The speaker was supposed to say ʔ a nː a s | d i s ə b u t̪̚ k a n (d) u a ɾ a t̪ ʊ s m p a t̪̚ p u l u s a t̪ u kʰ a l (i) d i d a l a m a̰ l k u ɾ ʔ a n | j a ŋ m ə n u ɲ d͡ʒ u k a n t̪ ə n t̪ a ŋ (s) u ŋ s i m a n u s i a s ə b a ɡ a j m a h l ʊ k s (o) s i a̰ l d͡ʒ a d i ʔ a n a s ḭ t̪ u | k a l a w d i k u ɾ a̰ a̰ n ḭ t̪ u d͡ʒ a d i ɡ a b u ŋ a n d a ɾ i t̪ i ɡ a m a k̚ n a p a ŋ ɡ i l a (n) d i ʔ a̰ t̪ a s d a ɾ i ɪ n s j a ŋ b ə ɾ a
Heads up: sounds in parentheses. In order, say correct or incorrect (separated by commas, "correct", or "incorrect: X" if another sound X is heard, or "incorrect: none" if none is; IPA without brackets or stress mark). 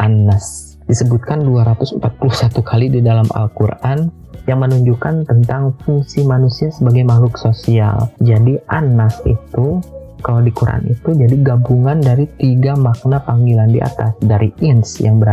correct, correct, incorrect: f, correct, correct